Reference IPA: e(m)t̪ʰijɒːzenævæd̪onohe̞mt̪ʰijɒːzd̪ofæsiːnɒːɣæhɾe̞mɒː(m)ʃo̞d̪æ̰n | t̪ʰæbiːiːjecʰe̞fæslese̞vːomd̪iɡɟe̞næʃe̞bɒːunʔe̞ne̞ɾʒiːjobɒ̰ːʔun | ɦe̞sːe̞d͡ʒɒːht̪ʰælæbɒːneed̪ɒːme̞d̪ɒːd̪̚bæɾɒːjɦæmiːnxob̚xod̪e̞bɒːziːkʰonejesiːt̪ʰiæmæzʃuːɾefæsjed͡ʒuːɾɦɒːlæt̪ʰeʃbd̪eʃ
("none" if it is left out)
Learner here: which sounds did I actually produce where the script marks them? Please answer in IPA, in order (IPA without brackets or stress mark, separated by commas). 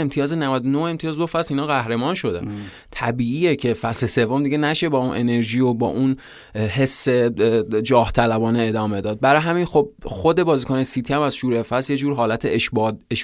m, n